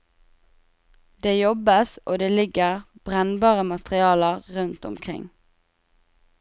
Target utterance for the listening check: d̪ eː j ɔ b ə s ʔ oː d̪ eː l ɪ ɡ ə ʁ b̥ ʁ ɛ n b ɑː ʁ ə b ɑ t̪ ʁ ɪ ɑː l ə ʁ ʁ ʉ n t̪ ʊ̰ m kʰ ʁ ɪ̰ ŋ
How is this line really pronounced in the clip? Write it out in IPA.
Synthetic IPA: d̪ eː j ɔ b ə s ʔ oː d̪ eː l ɪ ɡ ə ʁ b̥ ʁ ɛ n b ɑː ʁ ə m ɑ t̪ ʁ ɪ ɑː l ə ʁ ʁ ʉ n t̪ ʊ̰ m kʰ ʁ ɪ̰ ŋ